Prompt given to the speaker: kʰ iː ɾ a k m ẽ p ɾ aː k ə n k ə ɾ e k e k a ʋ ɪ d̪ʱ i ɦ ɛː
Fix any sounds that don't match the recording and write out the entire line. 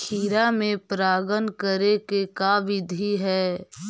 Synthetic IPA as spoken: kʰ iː ɾ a m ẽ p ɾ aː ɡ ə n k ə ɾ e k e k a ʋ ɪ d̪ʱ i ɦ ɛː